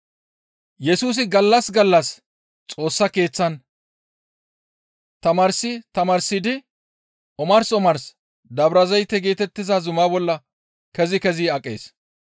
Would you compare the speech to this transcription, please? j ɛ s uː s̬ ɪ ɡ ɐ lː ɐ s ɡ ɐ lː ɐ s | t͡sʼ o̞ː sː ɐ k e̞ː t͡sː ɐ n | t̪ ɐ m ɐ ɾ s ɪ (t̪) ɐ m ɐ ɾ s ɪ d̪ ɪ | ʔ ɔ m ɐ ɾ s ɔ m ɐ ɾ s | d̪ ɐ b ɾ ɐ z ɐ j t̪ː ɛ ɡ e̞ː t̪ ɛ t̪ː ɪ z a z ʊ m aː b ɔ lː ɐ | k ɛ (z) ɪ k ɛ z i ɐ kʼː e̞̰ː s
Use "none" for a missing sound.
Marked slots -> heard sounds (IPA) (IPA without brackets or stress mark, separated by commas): t̪, z